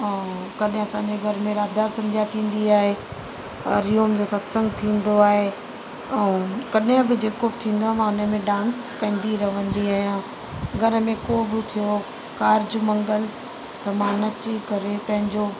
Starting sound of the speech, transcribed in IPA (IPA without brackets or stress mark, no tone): k